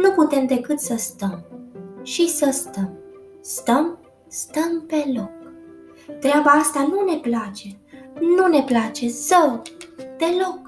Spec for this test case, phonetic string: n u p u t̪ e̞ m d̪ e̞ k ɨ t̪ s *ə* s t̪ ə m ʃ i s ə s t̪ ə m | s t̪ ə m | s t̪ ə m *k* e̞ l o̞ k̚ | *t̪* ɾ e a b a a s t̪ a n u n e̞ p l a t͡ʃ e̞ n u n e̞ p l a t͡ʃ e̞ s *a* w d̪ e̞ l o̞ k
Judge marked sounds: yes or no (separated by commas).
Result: yes, no, yes, no